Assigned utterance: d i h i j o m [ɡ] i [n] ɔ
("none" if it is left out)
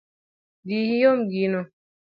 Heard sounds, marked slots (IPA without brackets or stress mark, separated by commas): ɡ, n